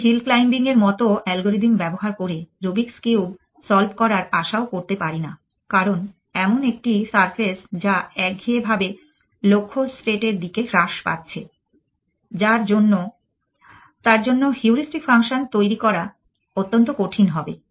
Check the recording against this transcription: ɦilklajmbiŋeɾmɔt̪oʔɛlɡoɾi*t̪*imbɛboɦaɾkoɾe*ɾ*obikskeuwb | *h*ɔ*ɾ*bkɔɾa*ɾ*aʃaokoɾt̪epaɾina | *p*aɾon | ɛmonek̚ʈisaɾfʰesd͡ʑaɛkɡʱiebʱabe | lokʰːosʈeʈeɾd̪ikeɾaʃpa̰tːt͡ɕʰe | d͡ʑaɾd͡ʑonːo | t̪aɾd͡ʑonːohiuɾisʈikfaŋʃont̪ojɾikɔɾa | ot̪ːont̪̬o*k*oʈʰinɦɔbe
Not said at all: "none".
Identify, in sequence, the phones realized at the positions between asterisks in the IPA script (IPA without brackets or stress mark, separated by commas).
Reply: d̪, ɾ, s, l, ɾ, k, k